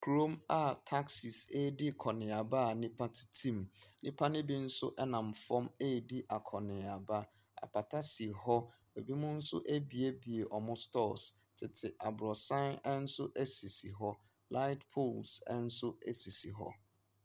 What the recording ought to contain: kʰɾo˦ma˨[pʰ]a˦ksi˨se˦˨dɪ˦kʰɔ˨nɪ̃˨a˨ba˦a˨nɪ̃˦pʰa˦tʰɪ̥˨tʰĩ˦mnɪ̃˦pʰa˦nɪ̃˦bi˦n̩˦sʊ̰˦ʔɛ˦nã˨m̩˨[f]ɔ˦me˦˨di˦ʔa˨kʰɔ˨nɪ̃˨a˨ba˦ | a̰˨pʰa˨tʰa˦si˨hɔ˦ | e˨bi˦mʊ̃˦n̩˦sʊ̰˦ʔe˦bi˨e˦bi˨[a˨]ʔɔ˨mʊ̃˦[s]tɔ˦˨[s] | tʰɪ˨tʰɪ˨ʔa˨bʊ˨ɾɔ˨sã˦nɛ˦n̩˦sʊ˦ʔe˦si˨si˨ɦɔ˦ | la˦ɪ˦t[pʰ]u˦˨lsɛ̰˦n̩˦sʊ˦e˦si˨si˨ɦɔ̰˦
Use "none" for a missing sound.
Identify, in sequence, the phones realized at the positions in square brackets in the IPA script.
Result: tʰ, f, e˨, s, s, pʰ

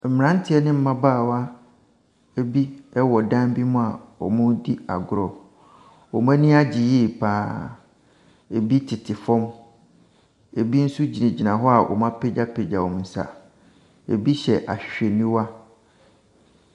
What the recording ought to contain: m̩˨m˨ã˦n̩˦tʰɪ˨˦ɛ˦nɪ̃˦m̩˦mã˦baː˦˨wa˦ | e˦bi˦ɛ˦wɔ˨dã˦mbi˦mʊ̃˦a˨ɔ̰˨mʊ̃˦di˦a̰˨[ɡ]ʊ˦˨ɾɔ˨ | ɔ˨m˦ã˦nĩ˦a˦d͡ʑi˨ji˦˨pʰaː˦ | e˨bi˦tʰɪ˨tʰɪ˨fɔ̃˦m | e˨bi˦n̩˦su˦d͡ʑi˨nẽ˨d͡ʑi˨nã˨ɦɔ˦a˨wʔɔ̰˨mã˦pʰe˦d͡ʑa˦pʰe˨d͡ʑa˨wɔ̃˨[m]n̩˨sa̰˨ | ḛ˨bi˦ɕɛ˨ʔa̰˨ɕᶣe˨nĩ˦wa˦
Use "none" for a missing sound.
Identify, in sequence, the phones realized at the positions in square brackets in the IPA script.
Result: ɡ, m

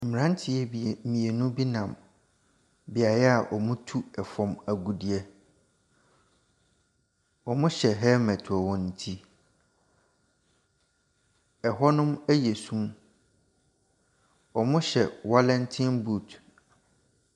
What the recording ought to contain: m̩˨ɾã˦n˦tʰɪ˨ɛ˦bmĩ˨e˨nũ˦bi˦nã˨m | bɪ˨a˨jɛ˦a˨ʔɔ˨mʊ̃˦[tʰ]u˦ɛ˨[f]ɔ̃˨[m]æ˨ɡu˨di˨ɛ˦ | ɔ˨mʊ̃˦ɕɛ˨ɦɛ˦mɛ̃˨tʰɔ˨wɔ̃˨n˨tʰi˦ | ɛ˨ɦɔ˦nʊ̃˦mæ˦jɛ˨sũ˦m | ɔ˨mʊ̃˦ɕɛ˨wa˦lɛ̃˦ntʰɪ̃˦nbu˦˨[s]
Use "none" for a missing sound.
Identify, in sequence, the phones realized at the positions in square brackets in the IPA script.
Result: tʰ, f, m, t

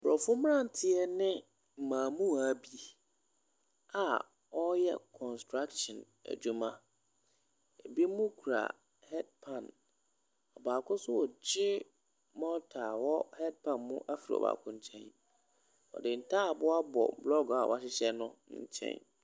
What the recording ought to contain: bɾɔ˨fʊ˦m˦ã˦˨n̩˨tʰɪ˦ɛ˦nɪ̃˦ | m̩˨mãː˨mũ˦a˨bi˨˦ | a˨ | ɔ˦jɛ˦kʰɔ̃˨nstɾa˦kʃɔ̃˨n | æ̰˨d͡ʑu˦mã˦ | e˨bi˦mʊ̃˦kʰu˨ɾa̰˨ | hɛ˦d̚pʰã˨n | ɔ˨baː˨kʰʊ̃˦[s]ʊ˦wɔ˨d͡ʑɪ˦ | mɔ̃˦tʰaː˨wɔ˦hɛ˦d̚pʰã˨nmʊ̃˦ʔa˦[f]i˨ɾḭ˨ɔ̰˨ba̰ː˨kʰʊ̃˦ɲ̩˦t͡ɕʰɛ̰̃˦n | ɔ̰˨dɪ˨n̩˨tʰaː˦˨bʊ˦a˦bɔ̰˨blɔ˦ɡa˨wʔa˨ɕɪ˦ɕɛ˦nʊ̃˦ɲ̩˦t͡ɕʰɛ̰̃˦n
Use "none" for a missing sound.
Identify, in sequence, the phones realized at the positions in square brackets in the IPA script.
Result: s, f

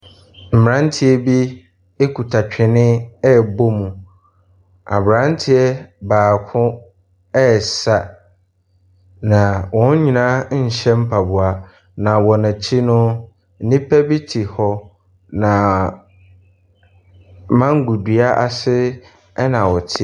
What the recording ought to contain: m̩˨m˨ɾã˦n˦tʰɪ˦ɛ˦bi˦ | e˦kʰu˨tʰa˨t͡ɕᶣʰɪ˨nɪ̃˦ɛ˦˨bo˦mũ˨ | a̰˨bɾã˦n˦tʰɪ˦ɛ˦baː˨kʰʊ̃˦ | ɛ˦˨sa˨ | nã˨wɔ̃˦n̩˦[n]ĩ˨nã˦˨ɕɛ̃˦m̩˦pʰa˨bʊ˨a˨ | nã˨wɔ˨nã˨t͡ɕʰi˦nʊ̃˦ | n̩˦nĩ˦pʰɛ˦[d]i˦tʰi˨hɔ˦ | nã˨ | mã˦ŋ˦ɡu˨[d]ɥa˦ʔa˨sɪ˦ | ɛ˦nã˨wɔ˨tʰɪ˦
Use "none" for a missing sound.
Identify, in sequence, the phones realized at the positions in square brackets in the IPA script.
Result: ɲ, b, d

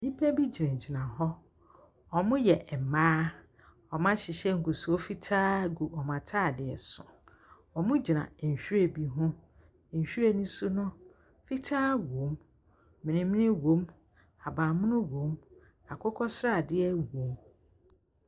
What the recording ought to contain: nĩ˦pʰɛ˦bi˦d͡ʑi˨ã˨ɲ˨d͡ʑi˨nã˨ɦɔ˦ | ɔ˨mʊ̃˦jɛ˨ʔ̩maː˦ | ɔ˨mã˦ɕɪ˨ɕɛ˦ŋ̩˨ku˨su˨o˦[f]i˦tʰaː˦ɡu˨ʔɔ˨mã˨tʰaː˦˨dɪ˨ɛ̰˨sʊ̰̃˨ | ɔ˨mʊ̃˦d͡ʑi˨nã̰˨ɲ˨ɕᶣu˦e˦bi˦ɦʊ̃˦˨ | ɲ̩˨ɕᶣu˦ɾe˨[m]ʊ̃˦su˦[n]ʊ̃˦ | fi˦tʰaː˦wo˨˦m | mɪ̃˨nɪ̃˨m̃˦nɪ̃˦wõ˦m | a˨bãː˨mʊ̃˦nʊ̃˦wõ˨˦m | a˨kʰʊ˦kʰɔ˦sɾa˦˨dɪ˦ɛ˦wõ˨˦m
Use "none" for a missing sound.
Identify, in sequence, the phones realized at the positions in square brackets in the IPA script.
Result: f, n, n

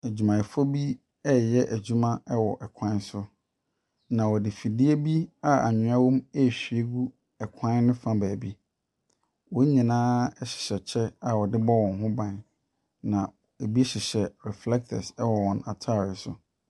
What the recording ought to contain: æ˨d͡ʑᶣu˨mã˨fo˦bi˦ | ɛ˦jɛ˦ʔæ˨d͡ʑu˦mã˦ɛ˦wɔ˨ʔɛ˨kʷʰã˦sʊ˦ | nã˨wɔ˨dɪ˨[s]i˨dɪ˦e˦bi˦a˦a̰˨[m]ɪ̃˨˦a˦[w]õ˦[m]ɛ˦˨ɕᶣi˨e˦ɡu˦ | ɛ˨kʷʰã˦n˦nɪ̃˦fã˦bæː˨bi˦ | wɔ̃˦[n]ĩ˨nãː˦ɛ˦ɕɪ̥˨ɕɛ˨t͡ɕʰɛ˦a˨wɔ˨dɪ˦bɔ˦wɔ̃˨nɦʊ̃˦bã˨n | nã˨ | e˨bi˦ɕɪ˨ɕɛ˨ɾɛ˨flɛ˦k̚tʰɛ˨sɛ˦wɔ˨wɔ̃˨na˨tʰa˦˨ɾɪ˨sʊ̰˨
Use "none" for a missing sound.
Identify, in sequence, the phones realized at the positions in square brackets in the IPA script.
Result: f, ɲ, w, m, ɲ

